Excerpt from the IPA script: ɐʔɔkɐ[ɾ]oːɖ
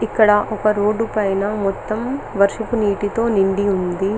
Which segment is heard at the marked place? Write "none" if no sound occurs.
ɾ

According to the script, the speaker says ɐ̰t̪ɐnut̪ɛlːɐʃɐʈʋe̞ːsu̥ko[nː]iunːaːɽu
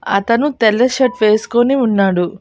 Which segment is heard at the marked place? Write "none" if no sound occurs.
n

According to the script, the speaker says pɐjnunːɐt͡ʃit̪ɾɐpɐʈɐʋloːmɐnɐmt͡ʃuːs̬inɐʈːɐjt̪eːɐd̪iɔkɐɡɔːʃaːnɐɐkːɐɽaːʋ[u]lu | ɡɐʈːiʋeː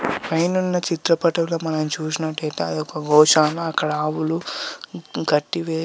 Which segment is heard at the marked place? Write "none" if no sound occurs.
u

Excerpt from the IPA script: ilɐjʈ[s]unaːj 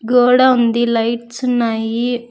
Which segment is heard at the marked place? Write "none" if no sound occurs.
s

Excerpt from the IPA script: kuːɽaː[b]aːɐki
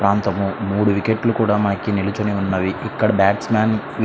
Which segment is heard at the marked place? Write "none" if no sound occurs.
m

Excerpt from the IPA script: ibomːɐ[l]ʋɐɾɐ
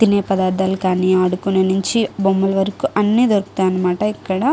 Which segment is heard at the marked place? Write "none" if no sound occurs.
l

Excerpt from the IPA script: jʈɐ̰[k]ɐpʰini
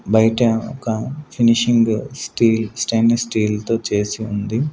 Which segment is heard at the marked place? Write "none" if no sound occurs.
k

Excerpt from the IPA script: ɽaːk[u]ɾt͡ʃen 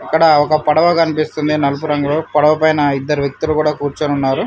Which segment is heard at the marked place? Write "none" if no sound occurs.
uː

